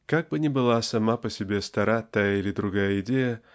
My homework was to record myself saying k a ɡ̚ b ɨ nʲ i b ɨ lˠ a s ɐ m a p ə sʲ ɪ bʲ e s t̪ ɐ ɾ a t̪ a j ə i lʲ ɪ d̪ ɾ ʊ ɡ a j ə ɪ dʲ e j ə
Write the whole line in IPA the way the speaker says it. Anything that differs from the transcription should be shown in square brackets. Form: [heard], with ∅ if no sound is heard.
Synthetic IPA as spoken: k a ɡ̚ b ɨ nʲ [ɪ] b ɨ lˠ a s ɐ m a p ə sʲ ɪ bʲ e s t̪ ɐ ɾ a t̪ a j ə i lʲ ɪ d̪ ɾ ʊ ɡ a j ə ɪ dʲ e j ə